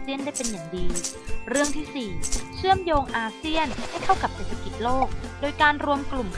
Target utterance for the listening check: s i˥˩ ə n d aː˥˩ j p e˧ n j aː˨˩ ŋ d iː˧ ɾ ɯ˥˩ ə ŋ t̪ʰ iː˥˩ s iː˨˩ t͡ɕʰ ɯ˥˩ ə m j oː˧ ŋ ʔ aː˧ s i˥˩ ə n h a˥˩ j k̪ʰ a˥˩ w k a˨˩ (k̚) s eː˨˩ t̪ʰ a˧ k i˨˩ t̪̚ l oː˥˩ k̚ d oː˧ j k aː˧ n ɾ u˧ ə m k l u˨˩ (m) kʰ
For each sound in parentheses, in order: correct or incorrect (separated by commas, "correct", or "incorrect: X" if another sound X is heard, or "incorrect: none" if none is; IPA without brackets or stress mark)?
incorrect: p̚, correct